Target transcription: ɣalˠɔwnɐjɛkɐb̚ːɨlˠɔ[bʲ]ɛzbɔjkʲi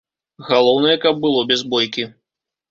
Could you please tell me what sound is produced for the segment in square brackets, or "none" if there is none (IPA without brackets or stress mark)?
bʲ